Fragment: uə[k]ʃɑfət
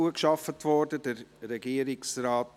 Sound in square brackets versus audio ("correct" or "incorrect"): correct